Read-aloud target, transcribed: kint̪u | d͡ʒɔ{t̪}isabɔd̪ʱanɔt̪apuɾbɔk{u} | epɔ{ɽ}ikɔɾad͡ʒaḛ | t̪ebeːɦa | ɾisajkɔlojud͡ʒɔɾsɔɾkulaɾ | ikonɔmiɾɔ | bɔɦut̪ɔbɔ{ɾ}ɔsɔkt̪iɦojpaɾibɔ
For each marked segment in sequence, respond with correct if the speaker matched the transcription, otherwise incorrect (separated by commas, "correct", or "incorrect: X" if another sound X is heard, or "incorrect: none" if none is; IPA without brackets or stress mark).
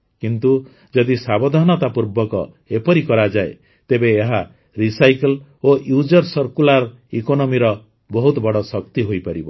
incorrect: d̪, incorrect: ɔ, incorrect: ɾ, incorrect: ɽ